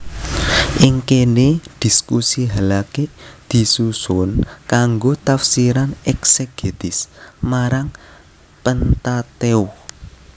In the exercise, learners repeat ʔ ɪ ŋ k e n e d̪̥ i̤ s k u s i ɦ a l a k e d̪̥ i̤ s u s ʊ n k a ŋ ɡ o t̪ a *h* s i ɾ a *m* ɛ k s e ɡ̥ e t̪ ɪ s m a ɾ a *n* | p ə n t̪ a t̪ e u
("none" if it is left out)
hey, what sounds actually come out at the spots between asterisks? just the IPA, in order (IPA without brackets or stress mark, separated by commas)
f, n, ŋ